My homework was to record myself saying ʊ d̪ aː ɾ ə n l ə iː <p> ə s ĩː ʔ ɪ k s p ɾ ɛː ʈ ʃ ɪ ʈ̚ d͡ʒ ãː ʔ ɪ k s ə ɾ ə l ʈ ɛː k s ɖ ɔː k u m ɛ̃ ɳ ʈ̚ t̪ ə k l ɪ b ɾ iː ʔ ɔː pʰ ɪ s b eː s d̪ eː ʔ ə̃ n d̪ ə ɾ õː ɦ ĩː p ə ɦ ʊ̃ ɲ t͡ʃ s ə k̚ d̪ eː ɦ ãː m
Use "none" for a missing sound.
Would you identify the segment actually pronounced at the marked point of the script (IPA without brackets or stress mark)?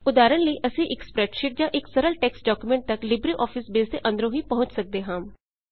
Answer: ʔ